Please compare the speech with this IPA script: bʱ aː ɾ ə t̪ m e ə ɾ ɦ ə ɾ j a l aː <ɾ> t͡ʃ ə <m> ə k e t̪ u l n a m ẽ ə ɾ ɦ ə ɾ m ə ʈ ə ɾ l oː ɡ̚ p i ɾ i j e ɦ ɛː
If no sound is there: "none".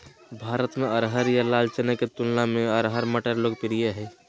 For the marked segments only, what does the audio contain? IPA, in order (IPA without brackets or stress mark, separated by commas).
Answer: l, n